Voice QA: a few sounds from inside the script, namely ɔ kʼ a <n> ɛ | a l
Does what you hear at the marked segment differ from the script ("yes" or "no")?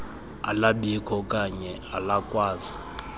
yes